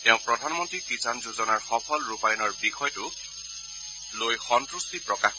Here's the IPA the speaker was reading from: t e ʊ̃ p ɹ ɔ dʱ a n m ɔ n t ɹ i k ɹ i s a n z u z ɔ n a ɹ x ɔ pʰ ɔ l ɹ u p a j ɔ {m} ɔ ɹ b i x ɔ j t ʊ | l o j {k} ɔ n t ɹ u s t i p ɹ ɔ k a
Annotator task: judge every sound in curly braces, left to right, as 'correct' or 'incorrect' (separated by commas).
incorrect, incorrect